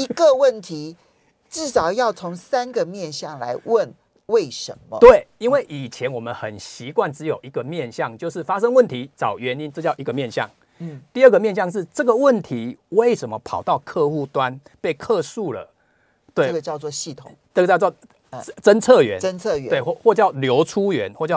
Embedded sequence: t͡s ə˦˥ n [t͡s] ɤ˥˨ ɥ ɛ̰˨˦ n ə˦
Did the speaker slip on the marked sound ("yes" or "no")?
yes